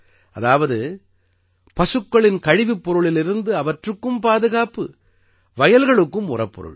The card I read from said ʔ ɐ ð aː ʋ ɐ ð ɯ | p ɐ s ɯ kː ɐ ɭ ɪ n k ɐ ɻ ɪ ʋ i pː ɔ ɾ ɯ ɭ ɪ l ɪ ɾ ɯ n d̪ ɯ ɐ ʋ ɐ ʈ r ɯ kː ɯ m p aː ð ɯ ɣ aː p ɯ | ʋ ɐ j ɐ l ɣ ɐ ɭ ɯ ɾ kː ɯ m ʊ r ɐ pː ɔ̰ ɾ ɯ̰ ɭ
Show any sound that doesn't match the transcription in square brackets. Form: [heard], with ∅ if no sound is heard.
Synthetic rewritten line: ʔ ɐ ð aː ʋ ɐ ð ɯ | p ɐ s ɯ kː ɐ ɭ ɪ n k ɐ ɻ ɪ ʋ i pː ɔ ɾ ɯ ɭ ɪ l ɪ ɾ ɯ n d̪ ɯ ɐ ʋ ɐ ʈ r ɯ kː ɯ m p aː ð ɯ ɣ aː p ɯ | ʋ ɐ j ɐ l ɣ ɐ ɭ ɯ [∅] kː ɯ m ʊ r ɐ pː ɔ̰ ɾ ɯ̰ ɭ